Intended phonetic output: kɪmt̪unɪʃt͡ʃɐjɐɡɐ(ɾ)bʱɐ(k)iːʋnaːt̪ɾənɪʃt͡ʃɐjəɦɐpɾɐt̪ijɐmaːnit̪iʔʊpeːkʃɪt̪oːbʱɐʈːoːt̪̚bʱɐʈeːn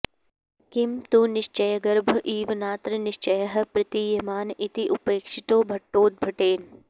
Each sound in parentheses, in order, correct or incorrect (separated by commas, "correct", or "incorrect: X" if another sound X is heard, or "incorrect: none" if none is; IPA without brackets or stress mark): correct, incorrect: ʔ